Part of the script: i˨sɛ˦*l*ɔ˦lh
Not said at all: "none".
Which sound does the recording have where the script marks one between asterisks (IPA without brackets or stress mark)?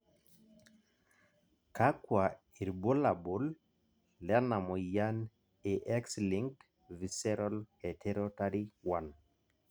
ɾ